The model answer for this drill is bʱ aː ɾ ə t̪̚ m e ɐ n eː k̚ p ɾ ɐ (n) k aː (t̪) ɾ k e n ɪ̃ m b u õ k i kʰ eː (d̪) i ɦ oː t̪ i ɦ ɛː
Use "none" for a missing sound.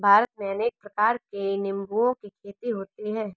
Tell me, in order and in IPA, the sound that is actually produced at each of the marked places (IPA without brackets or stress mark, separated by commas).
none, none, t̪